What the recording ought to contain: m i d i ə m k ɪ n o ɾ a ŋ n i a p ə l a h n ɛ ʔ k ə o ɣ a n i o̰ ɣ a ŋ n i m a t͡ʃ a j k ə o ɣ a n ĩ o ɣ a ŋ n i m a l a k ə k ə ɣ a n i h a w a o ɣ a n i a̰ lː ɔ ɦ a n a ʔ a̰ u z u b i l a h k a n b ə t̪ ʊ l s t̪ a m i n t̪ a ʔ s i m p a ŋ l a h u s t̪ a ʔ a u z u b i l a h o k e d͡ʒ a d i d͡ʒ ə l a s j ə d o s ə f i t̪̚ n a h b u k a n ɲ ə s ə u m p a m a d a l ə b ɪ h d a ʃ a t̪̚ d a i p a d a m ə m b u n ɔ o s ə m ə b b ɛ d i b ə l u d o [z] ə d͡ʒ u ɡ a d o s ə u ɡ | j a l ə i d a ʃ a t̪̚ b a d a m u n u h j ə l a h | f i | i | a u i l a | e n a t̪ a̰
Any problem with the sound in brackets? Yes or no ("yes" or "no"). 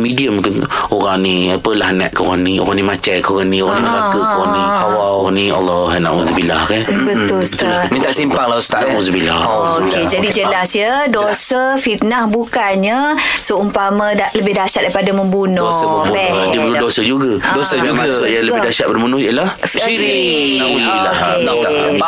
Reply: yes